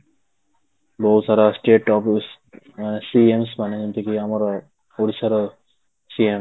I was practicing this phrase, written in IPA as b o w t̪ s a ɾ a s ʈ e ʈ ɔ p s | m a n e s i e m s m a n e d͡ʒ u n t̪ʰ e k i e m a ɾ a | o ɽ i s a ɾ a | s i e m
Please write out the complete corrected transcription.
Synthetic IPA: b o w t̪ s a ɾ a s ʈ e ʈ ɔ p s | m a n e s i e m s m a n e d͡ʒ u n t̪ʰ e k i a m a ɾ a | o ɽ i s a ɾ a | s i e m